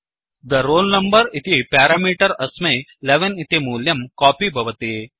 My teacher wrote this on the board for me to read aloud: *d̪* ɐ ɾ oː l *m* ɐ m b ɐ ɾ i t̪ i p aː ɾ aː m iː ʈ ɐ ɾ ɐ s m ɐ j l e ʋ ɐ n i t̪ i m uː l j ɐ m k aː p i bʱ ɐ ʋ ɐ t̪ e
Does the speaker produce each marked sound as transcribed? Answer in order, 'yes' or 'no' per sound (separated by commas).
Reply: yes, no